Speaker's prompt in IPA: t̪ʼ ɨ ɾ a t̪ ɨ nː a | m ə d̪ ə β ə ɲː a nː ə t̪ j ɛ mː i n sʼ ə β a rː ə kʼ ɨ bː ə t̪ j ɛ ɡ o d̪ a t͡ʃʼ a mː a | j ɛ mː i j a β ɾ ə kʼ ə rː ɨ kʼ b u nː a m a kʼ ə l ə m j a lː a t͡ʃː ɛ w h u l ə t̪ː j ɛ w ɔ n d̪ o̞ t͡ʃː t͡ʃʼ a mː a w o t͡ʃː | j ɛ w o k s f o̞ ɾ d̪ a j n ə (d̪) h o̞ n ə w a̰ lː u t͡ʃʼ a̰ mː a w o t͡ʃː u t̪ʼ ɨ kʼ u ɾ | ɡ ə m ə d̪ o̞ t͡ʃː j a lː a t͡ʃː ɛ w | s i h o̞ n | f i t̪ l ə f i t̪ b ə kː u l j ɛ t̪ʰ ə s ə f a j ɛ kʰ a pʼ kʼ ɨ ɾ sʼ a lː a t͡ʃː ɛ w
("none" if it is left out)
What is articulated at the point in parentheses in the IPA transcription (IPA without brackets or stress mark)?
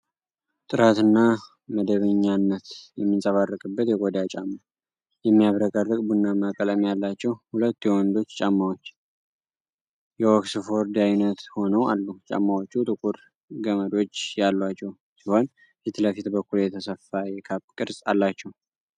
t̪